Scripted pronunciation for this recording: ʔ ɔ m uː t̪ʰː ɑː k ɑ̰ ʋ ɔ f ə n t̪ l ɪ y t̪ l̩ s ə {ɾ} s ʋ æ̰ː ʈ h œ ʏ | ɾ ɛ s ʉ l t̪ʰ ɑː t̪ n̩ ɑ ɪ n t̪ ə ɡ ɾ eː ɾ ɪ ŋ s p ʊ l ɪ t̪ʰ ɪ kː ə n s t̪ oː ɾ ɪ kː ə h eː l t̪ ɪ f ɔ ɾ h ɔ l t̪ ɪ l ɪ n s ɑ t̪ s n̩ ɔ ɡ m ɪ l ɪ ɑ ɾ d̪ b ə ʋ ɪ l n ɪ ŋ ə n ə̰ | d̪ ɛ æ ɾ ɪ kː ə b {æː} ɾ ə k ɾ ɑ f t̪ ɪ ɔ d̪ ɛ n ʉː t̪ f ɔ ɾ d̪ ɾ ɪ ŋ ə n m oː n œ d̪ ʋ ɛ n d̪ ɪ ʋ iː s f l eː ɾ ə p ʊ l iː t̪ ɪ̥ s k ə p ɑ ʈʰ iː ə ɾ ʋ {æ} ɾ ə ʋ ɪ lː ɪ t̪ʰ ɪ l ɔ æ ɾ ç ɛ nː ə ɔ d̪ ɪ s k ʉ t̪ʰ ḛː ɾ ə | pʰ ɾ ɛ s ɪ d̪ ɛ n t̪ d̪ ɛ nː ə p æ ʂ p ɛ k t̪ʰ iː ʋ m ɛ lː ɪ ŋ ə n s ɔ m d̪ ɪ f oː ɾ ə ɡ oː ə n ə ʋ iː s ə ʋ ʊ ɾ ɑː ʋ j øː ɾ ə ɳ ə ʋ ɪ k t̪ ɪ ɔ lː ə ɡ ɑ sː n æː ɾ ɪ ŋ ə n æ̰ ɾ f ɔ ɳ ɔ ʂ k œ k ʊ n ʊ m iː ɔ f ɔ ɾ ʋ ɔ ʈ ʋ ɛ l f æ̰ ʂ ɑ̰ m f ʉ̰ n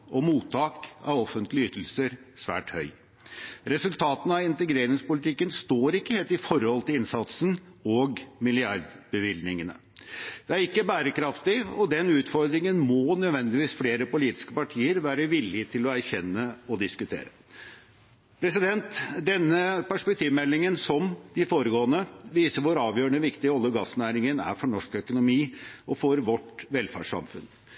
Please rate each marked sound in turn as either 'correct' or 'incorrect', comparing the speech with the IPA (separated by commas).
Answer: correct, correct, incorrect